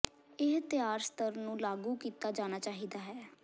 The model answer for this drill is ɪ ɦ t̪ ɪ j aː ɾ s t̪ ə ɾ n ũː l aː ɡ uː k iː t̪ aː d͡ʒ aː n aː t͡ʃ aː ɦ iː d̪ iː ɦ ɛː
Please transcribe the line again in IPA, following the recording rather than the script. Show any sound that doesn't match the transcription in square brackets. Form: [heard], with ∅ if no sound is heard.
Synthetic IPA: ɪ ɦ t̪ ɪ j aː ɾ s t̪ ə ɾ n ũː l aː ɡ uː k iː t̪ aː d͡ʒ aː n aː t͡ʃ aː ɦ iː d̪ [aː] ɦ ɛː